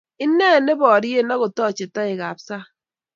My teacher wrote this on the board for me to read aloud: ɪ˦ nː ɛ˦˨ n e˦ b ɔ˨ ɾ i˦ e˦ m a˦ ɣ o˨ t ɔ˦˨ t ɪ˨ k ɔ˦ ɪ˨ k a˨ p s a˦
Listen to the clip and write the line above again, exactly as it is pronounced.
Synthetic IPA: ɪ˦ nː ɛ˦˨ n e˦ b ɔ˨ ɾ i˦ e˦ n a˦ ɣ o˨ t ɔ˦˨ t͡ʃ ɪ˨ t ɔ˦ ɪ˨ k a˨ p s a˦